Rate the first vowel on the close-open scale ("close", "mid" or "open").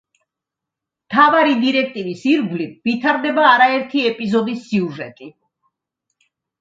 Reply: open